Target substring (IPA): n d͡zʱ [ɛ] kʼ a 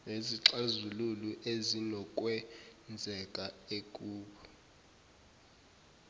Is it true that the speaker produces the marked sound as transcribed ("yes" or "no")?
yes